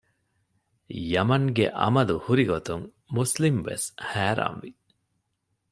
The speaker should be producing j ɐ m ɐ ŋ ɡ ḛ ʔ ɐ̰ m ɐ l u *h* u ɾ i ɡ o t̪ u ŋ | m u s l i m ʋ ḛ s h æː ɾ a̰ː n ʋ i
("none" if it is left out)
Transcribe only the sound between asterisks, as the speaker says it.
h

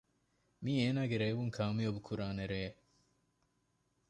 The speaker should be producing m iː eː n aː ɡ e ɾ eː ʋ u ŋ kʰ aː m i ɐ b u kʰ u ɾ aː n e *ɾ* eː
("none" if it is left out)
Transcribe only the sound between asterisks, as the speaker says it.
ɾ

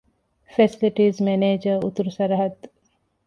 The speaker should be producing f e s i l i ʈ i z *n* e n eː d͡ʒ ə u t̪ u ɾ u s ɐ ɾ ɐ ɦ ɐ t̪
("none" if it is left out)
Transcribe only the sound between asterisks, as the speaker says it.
m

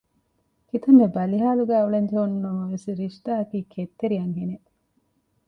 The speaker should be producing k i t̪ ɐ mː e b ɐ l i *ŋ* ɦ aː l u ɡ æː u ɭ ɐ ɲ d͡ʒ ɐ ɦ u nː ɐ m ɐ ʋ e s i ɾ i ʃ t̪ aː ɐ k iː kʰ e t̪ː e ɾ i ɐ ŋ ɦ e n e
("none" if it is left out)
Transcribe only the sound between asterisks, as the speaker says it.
none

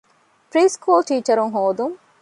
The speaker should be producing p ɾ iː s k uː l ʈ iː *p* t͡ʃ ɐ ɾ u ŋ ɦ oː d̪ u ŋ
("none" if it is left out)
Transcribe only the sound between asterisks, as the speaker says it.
none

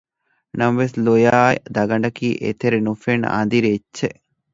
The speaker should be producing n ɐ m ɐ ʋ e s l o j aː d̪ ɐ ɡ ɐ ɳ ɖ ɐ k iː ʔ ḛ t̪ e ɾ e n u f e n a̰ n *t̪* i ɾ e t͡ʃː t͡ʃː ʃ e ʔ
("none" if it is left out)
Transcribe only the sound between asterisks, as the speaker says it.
d̪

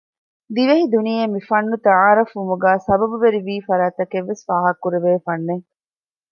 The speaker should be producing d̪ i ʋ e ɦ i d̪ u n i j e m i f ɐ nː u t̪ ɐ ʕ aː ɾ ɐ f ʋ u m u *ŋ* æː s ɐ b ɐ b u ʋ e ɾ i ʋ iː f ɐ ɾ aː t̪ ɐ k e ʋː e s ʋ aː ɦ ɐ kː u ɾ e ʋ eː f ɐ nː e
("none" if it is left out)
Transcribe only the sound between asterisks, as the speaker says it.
ɡ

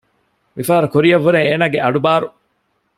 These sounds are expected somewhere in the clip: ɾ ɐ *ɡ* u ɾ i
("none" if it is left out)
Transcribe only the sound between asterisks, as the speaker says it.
k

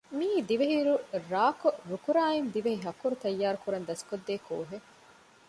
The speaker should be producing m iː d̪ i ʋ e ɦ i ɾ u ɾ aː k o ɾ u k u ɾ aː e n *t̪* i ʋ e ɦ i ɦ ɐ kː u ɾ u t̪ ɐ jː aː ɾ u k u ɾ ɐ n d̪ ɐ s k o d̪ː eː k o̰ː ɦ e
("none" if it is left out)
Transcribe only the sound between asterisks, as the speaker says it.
d̪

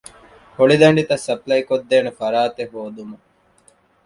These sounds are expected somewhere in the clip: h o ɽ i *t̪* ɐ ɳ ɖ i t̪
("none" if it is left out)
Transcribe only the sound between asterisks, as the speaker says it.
d̪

